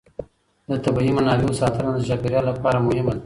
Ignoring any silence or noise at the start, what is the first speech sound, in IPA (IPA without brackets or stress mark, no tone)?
d̪